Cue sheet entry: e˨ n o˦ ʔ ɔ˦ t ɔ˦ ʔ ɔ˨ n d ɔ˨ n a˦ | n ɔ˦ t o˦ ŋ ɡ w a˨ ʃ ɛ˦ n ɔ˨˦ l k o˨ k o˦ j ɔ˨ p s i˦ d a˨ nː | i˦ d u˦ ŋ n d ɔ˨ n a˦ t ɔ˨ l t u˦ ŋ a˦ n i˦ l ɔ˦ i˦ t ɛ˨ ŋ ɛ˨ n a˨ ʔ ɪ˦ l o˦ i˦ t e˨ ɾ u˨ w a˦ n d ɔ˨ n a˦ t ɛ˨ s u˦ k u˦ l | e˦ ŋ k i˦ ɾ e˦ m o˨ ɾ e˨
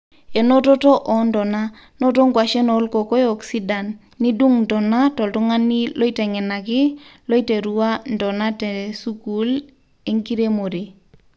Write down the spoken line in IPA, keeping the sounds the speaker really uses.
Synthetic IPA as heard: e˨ n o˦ t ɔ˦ t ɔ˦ ʔ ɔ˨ n d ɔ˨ n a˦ | n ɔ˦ t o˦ ŋ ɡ w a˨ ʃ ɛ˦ n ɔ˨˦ l k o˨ k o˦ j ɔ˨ k s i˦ d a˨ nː | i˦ d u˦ ŋ n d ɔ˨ n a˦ t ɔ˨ l t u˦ ŋ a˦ n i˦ l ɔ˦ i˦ t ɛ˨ ŋ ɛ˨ n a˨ k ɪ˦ l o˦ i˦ t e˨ ɾ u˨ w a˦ n d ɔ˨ n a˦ t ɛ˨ s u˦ k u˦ l | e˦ ŋ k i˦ ɾ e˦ m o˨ ɾ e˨